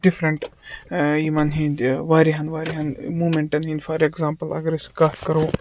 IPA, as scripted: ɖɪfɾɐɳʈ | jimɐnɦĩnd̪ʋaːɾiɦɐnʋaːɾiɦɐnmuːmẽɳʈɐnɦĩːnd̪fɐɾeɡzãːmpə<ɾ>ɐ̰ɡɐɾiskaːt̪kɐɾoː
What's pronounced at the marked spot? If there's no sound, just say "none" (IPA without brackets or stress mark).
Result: l